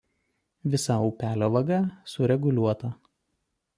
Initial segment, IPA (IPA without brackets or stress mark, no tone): ʋʲ